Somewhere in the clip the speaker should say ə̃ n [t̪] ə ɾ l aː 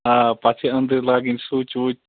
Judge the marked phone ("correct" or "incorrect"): incorrect